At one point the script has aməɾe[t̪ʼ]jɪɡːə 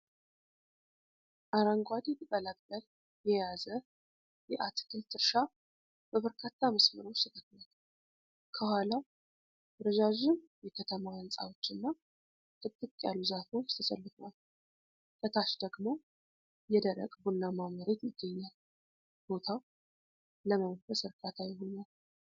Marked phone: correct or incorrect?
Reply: incorrect